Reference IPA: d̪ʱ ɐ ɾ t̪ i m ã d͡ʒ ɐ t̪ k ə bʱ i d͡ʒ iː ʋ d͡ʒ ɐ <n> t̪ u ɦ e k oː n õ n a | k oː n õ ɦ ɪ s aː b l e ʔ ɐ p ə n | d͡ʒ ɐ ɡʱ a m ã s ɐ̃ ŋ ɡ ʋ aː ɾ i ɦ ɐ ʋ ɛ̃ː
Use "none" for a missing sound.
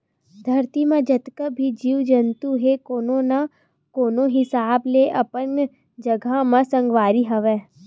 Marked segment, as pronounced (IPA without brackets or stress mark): n